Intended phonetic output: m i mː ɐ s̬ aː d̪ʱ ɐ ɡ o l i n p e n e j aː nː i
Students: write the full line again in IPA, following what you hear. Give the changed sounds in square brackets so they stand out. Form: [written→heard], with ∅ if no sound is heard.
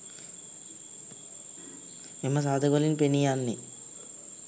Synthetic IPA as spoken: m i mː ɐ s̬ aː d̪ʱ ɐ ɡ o l i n p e n [e→i] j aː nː i